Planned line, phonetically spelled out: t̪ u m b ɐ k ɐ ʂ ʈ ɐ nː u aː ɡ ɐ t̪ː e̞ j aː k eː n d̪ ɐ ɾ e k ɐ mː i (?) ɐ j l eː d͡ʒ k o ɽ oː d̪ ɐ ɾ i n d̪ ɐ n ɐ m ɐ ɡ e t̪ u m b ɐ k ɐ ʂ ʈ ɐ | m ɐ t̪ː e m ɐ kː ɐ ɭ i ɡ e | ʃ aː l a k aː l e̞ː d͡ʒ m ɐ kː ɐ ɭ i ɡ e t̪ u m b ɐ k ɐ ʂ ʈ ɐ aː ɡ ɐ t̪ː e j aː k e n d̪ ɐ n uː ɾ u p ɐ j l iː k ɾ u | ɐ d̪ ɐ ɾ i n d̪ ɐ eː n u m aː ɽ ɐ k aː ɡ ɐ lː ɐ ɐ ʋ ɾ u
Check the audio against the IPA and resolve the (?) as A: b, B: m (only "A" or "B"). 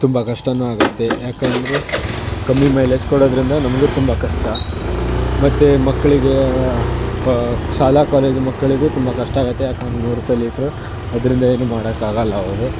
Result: B